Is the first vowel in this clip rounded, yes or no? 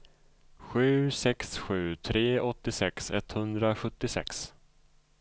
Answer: yes